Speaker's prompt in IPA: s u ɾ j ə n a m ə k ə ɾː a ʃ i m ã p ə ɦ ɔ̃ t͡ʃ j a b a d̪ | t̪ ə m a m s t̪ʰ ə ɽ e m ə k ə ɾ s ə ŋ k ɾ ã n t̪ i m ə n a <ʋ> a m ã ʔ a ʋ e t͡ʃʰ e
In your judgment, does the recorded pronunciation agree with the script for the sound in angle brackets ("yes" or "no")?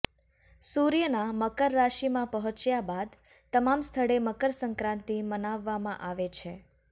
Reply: no